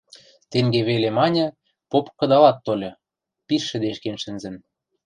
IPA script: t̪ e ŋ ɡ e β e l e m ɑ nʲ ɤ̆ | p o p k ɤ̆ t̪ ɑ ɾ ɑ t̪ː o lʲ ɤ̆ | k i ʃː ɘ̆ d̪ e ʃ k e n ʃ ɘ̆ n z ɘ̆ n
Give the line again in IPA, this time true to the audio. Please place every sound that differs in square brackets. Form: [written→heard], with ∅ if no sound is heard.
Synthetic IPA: t̪ e ŋ ɡ e β e l e m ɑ nʲ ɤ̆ | p o p k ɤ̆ [t̪→d̪] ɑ [ɾ→l] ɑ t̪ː o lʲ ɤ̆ | [k→p] i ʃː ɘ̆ d̪ e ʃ k e n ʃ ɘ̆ n z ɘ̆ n